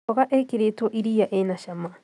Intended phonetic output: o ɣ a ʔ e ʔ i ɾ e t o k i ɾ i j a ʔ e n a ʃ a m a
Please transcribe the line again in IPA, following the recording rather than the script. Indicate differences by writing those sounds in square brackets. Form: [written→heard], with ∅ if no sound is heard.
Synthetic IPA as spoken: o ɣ a ʔ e [ʔ→k] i ɾ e t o [k→ʔ] i ɾ i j a ʔ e n a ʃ a m a